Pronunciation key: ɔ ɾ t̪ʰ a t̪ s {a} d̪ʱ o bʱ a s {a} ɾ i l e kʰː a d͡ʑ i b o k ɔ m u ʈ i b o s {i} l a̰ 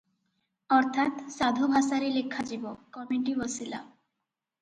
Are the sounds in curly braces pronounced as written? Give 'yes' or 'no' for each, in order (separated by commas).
yes, yes, yes